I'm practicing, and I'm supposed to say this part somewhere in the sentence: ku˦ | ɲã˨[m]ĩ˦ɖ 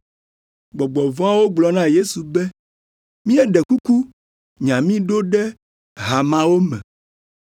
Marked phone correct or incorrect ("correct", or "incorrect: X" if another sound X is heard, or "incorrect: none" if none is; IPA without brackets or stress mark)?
correct